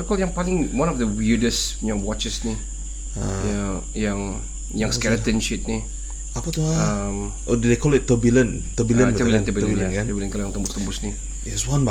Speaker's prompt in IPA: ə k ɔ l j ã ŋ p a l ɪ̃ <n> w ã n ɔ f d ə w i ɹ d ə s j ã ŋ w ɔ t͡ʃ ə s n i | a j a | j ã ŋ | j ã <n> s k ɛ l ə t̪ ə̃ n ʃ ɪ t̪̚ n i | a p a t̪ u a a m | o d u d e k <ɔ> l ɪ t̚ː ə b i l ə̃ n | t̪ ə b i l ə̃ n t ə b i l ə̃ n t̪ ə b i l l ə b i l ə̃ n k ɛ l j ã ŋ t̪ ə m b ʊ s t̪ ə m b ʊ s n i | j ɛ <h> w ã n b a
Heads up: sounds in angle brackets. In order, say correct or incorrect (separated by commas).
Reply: incorrect, incorrect, correct, incorrect